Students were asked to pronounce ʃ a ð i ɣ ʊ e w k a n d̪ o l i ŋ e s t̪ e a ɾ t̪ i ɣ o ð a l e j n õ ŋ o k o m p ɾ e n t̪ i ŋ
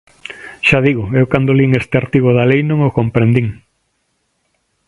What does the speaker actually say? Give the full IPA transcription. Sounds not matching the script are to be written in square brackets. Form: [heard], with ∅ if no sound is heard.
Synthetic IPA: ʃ a ð i ɣ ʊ e w k a n d̪ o l i ŋ e s t̪ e a ɾ t̪ i ɣ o ð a l e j n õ ŋ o k o m p ɾ e n [d̪] i ŋ

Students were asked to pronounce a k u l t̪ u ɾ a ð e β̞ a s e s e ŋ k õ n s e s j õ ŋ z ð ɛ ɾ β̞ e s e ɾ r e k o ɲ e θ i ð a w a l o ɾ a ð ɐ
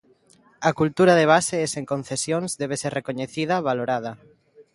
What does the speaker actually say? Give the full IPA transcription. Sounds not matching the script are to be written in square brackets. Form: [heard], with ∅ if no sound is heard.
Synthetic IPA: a k u l t̪ u ɾ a ð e β̞ a s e s e ŋ k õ n [θ] e s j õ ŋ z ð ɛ [∅] β̞ e s e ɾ r e k o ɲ e θ i ð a [β] a l o ɾ a ð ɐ

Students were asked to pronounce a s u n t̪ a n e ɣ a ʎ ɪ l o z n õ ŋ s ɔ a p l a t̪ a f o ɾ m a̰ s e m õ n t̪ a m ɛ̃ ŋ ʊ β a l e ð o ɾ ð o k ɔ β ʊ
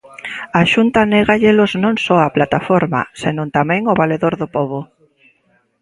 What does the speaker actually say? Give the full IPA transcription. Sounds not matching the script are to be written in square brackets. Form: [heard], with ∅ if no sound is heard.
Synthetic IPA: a [ʃ] u n t̪ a n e ɣ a ʎ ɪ l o z n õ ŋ s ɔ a p l a t̪ a f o ɾ m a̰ s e [n] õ n t̪ a m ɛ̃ ŋ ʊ β a l e ð o ɾ ð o [p] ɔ β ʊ

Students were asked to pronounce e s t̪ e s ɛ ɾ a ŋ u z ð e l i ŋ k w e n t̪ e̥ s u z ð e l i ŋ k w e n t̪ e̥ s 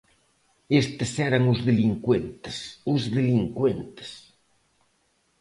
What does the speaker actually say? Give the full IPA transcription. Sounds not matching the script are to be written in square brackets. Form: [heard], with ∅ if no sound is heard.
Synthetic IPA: e s t̪ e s ɛ ɾ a ŋ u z ð e l i ŋ k w e n t̪ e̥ s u z ð e l i ŋ k w e n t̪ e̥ s

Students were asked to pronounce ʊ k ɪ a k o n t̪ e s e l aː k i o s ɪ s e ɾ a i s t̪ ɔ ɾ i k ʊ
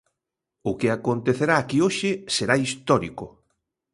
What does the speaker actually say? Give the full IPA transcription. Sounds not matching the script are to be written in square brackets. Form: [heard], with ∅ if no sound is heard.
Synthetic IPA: ʊ k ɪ a k o n t̪ e [θ] e [ɾ] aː k i o [ʃ] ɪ s e ɾ a i s t̪ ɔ ɾ i k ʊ

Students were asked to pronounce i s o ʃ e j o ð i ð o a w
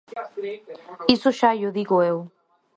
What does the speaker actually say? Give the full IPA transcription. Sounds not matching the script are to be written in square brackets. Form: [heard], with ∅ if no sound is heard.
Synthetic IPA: i s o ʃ [a] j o ð i [ɣ] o [e] w

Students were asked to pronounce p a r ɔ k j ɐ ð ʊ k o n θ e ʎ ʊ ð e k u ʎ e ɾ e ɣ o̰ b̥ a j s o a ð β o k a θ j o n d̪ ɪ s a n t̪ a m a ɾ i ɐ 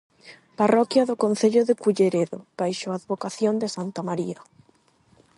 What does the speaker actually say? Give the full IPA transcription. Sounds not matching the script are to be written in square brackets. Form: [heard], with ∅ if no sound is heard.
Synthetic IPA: p a r ɔ k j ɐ ð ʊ k o n θ e ʎ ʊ ð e k u ʎ e ɾ e [ð] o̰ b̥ a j [ʃ] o a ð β o k a θ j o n d̪ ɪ s a n t̪ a m a ɾ i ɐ

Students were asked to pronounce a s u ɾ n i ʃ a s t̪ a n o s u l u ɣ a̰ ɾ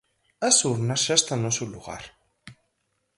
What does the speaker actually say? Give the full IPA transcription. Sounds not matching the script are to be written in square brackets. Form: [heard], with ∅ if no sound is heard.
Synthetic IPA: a s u ɾ n [a] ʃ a s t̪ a n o s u l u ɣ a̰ ɾ

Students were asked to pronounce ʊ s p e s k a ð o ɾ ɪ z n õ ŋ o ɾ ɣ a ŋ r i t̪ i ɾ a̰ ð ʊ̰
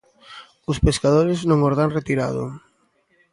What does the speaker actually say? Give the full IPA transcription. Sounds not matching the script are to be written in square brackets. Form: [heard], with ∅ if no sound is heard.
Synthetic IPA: ʊ s p e s k a ð o ɾ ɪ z n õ ŋ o ɾ [ð] a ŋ r [e] t̪ i ɾ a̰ ð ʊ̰

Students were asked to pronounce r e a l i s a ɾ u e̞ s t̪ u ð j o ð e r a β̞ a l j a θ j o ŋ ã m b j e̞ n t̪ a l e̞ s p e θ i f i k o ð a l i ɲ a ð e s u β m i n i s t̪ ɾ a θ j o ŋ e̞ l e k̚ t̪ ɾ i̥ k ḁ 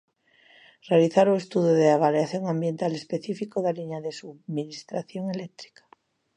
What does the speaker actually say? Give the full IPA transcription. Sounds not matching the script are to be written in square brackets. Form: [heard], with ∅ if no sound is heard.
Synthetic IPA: r e a l i [θ] a ɾ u e̞ s t̪ u ð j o ð e [∅] a β̞ a l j a θ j o ŋ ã m b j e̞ n t̪ a l e̞ s p e θ i f i k o ð a l i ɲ a ð e s u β m i n i s t̪ ɾ a θ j o ŋ e̞ l e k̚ t̪ ɾ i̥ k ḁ

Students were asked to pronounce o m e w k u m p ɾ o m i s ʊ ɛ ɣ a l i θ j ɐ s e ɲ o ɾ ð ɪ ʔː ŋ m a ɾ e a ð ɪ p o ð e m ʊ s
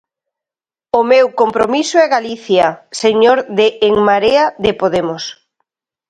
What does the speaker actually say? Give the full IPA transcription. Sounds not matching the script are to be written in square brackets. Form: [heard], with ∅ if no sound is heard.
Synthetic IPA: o m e w k [o] m p ɾ o m i s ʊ ɛ ɣ a l i θ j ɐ s e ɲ o ɾ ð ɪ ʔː ŋ m a ɾ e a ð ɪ p o ð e m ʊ s

